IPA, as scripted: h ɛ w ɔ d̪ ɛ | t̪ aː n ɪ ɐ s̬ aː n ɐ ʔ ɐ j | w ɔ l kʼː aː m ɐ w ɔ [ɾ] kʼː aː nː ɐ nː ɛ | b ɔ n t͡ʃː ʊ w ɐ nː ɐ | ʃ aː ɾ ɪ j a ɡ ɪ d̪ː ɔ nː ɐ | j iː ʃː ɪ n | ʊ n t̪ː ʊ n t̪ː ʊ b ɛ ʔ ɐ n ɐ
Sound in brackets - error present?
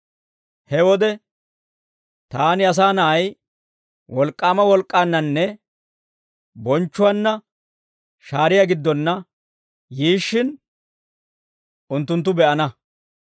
yes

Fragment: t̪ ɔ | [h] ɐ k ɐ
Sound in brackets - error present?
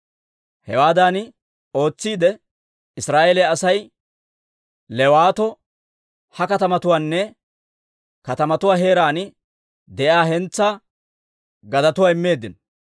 no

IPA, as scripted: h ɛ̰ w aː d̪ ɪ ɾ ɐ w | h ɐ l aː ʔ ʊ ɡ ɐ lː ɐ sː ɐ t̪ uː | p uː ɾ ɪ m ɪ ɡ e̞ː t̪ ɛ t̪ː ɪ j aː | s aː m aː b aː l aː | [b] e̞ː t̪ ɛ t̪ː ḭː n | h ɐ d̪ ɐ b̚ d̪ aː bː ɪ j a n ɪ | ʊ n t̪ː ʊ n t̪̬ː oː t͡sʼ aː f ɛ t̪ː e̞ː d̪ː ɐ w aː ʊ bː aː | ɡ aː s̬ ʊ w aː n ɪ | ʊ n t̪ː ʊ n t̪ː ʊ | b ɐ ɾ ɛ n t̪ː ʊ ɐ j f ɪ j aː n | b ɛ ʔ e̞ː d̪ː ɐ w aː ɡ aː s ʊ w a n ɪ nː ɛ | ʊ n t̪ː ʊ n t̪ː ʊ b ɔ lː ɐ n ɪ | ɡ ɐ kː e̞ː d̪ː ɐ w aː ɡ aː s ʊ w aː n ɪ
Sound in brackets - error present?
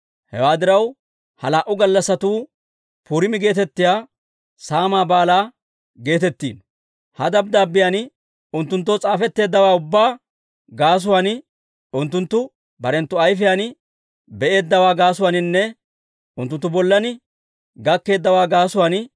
yes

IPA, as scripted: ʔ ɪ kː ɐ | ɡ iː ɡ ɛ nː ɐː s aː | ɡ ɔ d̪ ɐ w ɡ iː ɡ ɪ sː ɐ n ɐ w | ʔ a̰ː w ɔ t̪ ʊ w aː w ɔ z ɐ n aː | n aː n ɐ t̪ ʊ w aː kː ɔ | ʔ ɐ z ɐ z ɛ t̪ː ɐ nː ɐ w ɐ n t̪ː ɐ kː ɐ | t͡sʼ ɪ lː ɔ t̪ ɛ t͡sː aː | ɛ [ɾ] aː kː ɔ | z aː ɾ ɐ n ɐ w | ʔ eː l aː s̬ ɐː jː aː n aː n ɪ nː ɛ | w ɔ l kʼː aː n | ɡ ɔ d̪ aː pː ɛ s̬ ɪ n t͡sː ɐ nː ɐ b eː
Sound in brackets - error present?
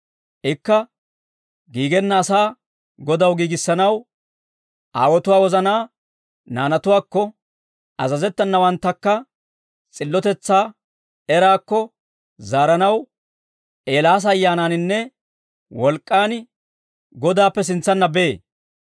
no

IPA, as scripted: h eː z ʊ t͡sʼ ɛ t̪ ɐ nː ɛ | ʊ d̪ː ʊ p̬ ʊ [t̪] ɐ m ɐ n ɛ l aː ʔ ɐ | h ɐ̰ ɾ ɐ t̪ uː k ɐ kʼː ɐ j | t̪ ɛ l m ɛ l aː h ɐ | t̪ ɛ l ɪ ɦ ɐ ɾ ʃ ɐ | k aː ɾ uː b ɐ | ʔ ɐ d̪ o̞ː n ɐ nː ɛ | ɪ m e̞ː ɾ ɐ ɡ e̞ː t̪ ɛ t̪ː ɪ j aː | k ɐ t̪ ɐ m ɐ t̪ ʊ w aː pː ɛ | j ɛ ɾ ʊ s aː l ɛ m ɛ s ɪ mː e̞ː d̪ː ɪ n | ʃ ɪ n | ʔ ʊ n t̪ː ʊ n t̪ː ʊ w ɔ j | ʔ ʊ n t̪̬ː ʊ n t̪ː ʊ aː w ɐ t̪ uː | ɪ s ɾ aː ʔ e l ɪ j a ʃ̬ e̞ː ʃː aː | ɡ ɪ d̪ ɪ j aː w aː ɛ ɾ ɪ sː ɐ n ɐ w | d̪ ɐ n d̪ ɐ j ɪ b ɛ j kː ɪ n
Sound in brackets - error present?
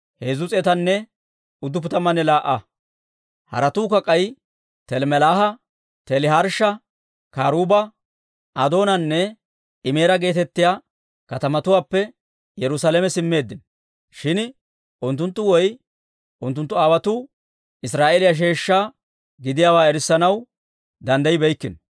no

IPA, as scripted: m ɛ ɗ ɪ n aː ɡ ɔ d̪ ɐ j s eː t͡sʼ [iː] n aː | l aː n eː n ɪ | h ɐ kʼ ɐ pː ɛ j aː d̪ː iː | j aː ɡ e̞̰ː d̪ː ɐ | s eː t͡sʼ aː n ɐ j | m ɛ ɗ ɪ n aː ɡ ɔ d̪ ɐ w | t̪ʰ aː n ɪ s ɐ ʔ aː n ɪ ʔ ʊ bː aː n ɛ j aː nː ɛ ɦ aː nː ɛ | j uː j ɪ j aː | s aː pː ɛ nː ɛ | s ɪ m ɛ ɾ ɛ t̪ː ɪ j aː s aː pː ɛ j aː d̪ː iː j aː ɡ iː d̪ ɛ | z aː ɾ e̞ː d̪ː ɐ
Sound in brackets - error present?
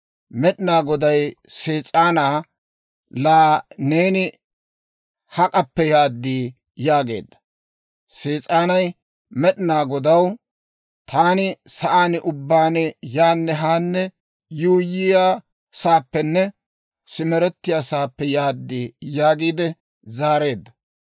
yes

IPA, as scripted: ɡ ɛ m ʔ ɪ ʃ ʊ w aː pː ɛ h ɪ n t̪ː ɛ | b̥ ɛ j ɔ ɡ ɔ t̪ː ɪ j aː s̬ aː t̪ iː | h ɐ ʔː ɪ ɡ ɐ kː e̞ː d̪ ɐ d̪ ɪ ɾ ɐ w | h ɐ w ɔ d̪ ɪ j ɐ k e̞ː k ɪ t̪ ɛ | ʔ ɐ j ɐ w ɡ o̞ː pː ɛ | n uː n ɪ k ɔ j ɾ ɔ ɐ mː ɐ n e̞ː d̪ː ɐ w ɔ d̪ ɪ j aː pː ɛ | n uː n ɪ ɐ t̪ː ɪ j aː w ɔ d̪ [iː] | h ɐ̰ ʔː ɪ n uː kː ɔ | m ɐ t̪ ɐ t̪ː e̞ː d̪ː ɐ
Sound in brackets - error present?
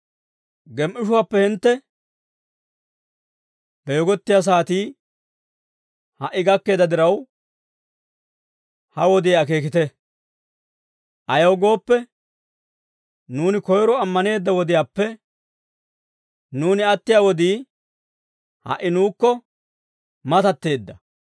no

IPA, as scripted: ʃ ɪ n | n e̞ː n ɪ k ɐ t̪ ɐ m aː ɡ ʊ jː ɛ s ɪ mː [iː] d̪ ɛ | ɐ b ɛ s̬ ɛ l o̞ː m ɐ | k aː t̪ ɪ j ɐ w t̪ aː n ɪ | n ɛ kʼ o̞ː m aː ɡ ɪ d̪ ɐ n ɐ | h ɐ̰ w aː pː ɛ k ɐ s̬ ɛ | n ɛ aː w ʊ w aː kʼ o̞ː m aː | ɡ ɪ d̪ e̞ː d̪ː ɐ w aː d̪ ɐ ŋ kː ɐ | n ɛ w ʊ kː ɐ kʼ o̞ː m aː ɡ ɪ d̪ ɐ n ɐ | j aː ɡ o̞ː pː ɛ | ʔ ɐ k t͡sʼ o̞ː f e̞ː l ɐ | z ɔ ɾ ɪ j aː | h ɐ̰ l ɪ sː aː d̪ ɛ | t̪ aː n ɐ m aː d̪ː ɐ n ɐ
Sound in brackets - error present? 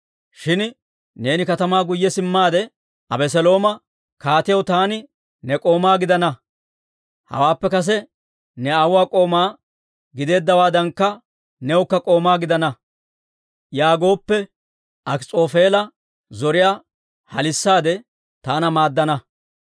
yes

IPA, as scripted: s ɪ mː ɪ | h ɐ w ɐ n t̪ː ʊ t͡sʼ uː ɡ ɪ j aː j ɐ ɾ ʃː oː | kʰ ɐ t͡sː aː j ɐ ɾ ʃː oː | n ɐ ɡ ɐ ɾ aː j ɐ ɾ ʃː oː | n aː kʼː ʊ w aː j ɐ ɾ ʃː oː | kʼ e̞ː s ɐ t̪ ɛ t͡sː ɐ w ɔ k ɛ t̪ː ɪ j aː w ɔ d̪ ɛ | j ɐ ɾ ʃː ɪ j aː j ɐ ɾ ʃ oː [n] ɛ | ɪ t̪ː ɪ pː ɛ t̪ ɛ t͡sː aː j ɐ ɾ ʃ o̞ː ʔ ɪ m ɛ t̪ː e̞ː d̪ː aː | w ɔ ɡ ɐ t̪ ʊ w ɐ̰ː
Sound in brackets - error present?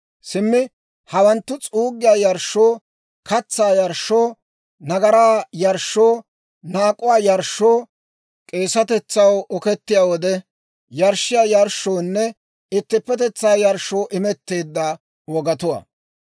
yes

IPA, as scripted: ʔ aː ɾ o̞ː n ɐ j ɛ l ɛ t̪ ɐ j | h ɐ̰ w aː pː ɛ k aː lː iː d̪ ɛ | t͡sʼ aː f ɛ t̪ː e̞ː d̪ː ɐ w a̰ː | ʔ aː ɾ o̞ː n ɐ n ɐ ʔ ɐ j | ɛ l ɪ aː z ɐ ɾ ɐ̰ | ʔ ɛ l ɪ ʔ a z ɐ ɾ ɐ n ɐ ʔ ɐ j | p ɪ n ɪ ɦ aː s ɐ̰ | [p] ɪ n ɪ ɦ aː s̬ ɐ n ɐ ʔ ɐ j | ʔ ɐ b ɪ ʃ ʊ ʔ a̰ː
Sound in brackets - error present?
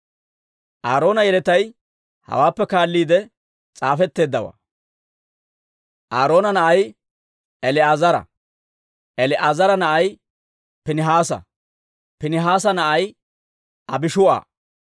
no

